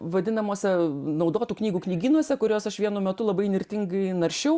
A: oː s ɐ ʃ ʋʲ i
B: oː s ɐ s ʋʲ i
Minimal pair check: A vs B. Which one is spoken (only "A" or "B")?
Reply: A